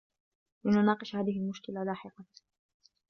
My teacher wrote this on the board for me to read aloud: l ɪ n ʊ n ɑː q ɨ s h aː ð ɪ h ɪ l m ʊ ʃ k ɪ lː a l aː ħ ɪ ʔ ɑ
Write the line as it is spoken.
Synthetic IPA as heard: l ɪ n ʊ n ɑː q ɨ ʃ h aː ð ɪ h ɪ l m ʊ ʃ k ɪ l a l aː ħ ɪ q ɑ

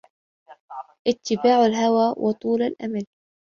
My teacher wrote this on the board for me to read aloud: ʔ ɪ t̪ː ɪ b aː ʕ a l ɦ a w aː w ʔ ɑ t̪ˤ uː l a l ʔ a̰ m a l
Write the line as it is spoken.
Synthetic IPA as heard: ʔ ɪ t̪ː ɪ b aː ʕ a l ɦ a w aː w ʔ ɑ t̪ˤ uː l a l ʔ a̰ m a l

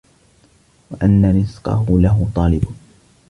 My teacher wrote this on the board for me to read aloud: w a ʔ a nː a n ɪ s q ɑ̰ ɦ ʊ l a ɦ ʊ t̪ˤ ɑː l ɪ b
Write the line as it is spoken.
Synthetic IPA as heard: w a ʔ a nː a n ɪ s q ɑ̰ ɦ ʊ l a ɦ ʊ t̪ˤ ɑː l ɪ b

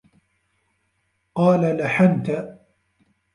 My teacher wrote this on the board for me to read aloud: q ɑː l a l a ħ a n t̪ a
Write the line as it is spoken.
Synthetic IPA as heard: q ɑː l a l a ħ a n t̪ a

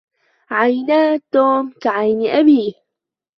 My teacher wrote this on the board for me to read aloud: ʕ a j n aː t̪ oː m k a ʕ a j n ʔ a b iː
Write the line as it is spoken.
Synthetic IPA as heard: ʕ a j n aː t̪ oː m k a ʕ a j n ʔ a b iː

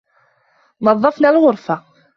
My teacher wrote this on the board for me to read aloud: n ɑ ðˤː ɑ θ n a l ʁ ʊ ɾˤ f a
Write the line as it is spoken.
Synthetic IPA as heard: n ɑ ðˤː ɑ f n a l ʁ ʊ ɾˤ f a

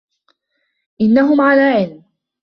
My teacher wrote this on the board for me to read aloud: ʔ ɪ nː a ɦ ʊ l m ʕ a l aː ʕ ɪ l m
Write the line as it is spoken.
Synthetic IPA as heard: ʔ ɪ nː a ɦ ʊ m ʕ a l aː ʕ ɪ l m

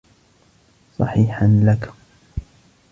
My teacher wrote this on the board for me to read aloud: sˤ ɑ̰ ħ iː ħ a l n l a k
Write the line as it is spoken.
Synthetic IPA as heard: sˤ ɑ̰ ħ iː ħ a n l a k

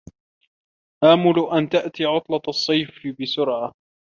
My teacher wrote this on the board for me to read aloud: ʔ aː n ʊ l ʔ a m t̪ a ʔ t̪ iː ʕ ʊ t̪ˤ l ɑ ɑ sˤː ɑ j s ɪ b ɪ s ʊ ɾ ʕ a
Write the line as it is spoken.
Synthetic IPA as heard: ʔ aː m ʊ l ʔ a n t̪ a ʔ t̪ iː ʕ ʊ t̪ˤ l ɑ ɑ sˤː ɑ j f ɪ b ɪ s ʊ ɾ ʕ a

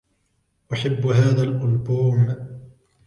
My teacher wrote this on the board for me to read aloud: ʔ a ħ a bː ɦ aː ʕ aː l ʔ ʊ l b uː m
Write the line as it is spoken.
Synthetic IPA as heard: ʔ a ħ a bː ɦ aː ð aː l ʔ ʊ l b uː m

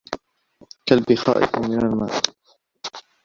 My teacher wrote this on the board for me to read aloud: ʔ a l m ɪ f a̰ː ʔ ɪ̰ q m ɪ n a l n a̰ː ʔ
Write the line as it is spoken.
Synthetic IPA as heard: k a l b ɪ x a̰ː ʔ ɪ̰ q m ɪ n a l m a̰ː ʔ

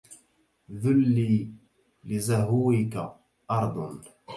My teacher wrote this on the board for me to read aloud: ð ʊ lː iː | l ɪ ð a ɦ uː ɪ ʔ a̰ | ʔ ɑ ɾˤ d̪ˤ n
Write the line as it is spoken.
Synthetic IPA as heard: ð ʊ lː iː | l ɪ z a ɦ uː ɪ k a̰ | ʔ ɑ ɾˤ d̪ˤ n

